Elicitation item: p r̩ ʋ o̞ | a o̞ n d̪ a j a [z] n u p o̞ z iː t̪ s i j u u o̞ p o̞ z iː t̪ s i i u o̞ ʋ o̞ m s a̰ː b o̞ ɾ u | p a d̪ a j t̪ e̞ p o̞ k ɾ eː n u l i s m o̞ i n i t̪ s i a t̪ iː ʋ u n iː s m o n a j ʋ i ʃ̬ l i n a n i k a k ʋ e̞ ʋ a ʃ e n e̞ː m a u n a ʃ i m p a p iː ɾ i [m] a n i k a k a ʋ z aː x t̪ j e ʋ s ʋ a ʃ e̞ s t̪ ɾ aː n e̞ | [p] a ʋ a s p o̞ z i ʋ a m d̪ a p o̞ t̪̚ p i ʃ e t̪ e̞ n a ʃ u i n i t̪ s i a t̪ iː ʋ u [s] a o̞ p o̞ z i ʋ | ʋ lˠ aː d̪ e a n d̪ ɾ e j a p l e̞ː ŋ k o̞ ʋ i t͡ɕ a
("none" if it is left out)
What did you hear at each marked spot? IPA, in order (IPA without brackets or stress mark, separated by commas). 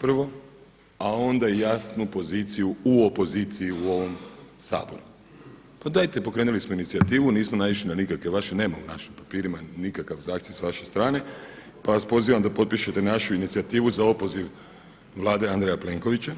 s, m, p, z